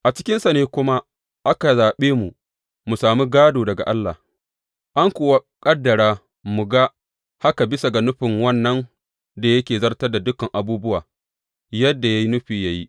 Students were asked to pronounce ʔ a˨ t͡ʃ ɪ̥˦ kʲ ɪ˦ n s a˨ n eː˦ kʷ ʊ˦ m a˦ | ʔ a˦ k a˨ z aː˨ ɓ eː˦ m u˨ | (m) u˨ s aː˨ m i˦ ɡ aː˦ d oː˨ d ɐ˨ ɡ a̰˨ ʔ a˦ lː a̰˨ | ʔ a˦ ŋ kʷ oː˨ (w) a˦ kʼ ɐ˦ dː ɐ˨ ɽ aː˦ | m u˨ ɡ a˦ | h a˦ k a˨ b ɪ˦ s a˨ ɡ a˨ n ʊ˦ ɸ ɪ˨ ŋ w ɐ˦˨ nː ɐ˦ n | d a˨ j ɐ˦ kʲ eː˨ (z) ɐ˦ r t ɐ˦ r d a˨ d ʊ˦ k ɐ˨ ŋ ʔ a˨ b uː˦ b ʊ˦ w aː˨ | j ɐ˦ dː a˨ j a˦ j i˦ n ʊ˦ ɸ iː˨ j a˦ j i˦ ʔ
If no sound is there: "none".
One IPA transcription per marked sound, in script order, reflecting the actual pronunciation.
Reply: m, w, z

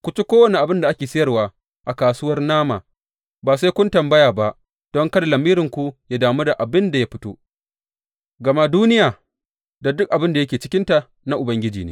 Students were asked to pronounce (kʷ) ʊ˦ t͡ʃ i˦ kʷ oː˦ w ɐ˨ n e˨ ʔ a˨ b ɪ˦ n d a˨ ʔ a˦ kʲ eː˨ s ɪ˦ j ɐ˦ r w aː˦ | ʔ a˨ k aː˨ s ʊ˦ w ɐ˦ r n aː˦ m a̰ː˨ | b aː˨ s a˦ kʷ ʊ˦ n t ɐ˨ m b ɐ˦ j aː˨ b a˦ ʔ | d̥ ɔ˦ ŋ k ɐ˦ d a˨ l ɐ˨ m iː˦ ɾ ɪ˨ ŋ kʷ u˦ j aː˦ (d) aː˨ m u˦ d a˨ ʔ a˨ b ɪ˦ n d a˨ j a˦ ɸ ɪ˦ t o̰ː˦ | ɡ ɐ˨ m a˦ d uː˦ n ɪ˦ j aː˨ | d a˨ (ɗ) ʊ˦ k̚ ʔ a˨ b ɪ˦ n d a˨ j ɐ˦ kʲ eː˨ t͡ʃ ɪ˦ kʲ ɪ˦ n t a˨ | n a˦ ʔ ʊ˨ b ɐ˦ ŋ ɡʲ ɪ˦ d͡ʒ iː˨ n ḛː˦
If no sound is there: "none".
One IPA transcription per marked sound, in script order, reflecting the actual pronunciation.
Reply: kʷ, d, d

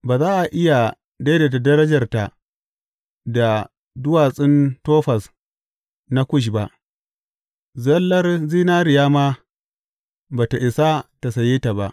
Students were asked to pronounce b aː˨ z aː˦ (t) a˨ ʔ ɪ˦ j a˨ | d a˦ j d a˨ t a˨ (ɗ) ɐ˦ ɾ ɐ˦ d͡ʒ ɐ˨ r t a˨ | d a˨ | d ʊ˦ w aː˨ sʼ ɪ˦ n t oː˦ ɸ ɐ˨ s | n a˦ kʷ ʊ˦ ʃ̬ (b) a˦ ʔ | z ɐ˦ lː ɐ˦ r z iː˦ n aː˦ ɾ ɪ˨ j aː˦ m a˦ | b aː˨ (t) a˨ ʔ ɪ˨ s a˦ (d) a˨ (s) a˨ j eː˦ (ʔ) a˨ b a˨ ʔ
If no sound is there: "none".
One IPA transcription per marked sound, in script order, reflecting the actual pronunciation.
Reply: ʔ, d, b, t, t, s, t

